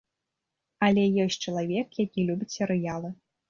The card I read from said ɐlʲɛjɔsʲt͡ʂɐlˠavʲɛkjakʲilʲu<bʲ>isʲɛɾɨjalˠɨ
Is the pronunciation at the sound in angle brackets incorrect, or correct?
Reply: correct